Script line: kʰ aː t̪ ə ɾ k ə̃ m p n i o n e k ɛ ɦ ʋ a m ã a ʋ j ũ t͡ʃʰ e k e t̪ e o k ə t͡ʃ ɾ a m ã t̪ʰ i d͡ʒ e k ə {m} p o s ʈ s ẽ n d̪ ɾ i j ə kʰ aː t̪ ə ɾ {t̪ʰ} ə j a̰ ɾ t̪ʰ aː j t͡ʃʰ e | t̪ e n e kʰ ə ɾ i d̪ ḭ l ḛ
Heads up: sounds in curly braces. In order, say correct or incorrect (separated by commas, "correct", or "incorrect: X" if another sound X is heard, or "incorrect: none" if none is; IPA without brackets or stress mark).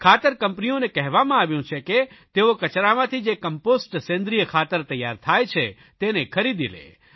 correct, incorrect: t̪